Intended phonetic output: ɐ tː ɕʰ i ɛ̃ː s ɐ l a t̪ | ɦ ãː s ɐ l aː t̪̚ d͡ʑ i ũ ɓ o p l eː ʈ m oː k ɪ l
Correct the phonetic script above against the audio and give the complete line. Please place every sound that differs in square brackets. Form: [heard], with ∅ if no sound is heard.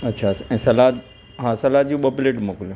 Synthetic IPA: ɐ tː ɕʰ [a] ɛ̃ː s ɐ l a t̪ | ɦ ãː s ɐ l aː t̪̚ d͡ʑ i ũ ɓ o p l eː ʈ m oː k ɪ l